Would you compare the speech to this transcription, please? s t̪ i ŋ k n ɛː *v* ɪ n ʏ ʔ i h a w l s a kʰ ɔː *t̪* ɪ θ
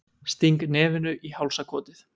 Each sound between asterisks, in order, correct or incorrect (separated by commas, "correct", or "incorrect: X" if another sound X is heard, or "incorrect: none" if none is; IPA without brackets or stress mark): correct, correct